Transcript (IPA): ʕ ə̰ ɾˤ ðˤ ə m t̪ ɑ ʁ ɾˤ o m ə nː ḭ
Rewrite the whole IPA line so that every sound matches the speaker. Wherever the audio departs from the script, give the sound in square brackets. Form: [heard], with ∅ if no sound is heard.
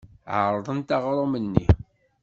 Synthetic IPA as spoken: ʕ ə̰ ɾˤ ðˤ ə [n] t̪ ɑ ʁ ɾˤ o m ə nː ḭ